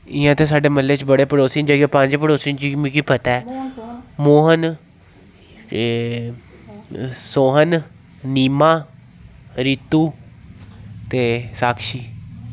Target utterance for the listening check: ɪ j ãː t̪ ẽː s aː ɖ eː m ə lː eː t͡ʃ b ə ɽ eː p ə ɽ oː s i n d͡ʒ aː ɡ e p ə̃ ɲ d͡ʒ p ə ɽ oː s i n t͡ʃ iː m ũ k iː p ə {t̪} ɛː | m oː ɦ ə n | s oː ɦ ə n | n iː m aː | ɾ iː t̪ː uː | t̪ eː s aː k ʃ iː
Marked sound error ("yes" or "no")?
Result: no